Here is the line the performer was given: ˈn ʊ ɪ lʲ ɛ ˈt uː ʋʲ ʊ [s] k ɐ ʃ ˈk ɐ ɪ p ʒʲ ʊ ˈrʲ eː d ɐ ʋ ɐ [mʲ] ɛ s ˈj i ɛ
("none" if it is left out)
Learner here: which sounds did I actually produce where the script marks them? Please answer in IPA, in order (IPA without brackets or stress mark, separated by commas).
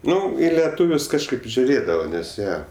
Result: s, nʲ